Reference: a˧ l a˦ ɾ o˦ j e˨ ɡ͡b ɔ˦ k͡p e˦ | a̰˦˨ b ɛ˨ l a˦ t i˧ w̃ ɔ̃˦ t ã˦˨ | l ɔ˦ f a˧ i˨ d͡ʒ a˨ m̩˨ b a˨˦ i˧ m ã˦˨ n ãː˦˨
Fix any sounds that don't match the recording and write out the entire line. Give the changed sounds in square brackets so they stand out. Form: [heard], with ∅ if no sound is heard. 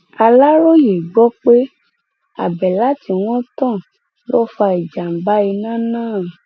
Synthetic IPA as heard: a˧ l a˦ ɾ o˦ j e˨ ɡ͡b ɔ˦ k͡p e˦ | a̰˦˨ b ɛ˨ l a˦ t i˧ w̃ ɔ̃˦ t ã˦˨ | l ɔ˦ f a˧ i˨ d͡ʒ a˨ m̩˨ b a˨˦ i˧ [n] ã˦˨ n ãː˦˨